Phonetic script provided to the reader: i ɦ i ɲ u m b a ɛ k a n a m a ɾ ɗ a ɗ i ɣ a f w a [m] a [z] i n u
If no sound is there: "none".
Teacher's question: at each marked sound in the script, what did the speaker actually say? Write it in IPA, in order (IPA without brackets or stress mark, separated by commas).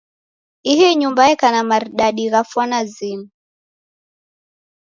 n, z